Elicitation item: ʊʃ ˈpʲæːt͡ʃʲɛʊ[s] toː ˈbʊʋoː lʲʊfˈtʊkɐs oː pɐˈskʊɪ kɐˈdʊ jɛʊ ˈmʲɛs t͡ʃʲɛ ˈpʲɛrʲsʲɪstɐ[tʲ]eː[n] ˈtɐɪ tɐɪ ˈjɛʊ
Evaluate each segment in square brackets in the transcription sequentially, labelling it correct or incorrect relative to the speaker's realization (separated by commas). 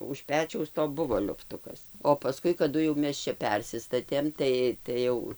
correct, correct, incorrect